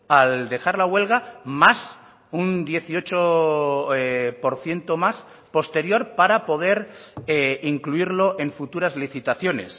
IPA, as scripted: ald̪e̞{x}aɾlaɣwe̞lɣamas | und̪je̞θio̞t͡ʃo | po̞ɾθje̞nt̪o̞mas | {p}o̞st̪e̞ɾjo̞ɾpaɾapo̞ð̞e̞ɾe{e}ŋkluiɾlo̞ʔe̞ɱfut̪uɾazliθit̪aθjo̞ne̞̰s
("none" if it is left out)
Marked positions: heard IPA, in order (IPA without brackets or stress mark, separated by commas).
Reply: x, p, i